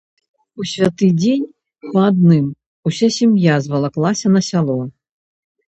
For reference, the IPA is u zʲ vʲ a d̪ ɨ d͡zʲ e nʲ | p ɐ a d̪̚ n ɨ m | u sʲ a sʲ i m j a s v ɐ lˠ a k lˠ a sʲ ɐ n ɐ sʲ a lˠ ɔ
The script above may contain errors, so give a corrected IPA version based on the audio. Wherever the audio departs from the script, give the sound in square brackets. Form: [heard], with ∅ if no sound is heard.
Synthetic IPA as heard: u [sʲ] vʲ a [t̪] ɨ d͡zʲ e nʲ | p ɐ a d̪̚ n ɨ m | u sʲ a sʲ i m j a [z] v ɐ lˠ a k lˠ a sʲ ɐ n ɐ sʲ a lˠ ɔ

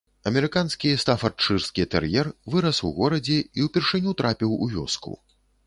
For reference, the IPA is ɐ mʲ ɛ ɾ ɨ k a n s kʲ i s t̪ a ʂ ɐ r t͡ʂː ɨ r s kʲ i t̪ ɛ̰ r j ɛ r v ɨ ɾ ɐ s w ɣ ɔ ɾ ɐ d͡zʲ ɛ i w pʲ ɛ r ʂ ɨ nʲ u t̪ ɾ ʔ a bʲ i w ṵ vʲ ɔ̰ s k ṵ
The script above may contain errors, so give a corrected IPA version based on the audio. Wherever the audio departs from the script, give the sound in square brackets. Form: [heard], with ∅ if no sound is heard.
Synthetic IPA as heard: ɐ mʲ ɛ ɾ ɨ k a n s kʲ i s t̪ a [f] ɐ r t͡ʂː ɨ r s kʲ i t̪ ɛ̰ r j ɛ r v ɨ ɾ ɐ s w ɣ ɔ ɾ ɐ d͡zʲ ɛ i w pʲ ɛ r ʂ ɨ nʲ u t̪ ɾ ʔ a [pʲ] i w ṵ vʲ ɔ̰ s k ṵ

